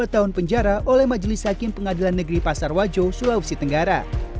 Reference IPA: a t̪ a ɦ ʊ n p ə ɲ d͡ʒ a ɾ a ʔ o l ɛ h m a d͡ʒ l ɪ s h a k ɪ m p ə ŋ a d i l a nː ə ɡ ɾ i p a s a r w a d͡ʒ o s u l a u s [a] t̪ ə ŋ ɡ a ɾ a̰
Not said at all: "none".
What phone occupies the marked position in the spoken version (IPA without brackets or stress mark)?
i